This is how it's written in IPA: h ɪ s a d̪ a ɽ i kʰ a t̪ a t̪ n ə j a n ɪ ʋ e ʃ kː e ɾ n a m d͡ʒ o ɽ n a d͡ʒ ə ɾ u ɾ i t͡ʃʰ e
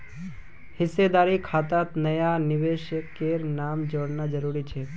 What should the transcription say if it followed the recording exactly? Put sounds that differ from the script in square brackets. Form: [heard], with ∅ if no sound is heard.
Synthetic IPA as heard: h ɪ s [e] d̪ a [ɾ] i kʰ a t̪ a t̪ n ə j a n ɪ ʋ e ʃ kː e ɾ n a m d͡ʒ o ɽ n a d͡ʒ ə ɾ u ɾ i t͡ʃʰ e